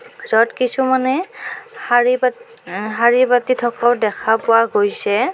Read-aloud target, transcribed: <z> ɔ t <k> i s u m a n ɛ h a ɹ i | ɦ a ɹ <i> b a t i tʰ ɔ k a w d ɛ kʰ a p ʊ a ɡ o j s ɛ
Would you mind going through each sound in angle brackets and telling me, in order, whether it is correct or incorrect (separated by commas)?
correct, correct, correct